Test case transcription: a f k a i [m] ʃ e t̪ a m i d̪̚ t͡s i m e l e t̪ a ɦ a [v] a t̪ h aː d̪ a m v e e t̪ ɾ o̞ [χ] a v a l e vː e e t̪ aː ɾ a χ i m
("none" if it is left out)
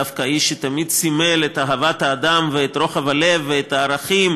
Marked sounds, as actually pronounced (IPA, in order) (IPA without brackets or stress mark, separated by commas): none, v, χ